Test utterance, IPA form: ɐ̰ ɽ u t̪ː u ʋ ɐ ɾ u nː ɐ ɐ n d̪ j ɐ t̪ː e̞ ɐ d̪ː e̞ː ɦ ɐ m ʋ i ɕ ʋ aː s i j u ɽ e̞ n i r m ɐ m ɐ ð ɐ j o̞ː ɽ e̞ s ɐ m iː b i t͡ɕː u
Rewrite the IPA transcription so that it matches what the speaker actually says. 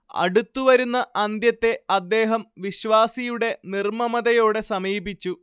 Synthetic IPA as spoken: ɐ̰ ɽ u t̪ː u ʋ ɐ ɾ u nː ɐ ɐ n d̪ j ɐ t̪ː e̞ ɐ d̪ː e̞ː ɦ ɐ m ʋ i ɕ ʋ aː s i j u ɽ e̞ n i r m ɐ m ɐ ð ɐ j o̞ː ɽ e̞ s ɐ m iː b i t͡ɕː u